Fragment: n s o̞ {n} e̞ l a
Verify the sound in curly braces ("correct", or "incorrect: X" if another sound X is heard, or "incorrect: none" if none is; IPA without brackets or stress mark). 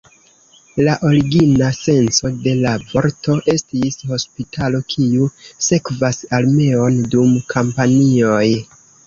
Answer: incorrect: d